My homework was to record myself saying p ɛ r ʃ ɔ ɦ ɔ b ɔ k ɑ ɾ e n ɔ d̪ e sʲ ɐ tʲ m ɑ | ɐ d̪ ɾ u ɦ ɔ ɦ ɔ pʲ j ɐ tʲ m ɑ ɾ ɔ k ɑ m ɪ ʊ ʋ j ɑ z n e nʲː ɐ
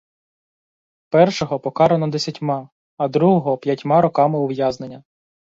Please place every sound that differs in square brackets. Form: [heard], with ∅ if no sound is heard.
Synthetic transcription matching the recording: p ɛ r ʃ ɔ ɦ ɔ [p] ɔ k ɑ ɾ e n ɔ d̪ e sʲ ɐ tʲ m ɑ | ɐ d̪ ɾ u ɦ ɔ ɦ ɔ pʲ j ɐ tʲ m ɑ ɾ ɔ k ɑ m ɪ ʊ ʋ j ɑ z n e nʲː ɐ